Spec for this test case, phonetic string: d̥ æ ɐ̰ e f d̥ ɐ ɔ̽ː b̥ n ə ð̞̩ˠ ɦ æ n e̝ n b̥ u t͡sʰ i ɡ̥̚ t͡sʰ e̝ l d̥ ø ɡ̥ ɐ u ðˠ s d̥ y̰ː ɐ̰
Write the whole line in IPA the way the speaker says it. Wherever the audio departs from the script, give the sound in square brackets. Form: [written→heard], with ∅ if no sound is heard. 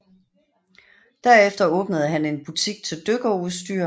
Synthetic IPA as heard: d̥ æ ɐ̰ e f d̥ ɐ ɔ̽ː b̥ n ə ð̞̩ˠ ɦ æ n e̝ n b̥ u t͡sʰ i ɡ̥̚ t͡sʰ e̝ l d̥ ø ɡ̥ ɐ u ðˠ s d̥ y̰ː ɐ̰